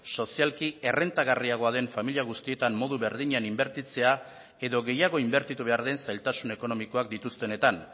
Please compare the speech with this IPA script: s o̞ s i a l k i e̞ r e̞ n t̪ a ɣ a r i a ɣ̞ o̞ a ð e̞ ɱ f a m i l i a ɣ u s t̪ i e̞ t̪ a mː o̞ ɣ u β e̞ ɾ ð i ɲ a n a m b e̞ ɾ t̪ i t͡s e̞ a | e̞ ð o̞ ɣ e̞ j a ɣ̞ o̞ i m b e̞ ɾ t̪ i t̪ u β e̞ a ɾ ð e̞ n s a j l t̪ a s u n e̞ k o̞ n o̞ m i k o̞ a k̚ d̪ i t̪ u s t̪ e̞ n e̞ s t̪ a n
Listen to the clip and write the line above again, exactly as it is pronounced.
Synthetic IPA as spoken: s o̞ s i a l k i e̞ r e̞ n t̪ a ɣ a r i a ɣ̞ o̞ a ð e̞ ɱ f a m i l i a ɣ u s t̪ i e̞ t̪ a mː o̞ ð u β e̞ ɾ ð i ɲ a n i m b e̞ ɾ t̪ i t͡s e̞ a | e̞ ð o̞ ɣ e̞ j a ɣ̞ o̞ i m b e̞ ɾ t̪ i t̪ u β e̞ a ɾ ð e̞ n s a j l t̪ a s u n e̞ k o̞ n o̞ m i k o̞ a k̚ d̪ i t̪ u s t̪ e̞ n e̞ t̪ a n